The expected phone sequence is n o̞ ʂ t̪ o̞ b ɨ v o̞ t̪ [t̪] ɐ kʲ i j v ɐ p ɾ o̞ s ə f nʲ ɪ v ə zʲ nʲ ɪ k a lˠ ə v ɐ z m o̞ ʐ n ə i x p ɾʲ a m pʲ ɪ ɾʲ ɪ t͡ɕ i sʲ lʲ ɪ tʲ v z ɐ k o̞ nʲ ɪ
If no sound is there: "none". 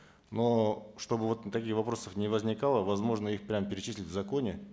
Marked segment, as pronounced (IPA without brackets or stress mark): t̪